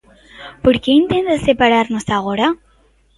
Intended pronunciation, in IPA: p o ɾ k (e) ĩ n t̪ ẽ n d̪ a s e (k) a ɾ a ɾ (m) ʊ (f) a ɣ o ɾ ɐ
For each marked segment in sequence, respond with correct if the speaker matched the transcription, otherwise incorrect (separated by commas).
correct, incorrect, incorrect, incorrect